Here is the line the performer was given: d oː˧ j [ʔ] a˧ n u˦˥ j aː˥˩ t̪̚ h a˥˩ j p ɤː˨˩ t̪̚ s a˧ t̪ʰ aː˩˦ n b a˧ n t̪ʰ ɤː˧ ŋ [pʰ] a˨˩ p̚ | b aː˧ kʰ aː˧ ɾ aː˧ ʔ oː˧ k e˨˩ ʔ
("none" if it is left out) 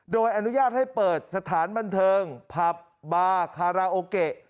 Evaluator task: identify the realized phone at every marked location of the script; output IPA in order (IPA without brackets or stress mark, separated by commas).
ʔ, pʰ